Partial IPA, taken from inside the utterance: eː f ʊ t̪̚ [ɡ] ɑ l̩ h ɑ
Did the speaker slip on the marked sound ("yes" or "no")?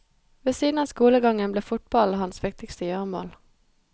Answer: yes